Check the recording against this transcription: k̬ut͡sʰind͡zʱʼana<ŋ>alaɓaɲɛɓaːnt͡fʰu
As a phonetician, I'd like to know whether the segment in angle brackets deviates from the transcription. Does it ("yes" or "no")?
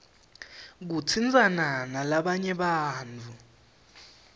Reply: yes